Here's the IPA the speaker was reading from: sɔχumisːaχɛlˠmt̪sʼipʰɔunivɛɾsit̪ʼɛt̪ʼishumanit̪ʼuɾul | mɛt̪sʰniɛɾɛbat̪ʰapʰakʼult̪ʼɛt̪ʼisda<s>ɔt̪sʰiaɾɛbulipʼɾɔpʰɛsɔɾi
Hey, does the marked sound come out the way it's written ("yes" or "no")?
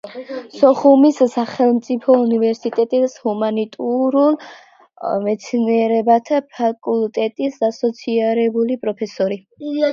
yes